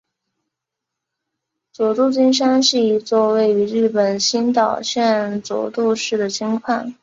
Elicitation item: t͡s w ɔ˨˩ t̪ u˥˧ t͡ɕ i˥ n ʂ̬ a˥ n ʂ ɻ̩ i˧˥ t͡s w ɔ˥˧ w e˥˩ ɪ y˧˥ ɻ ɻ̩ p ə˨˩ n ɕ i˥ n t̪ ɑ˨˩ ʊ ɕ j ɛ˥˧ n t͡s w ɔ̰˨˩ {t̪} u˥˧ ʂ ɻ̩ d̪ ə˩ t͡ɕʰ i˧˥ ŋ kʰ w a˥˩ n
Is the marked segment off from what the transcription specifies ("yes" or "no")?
no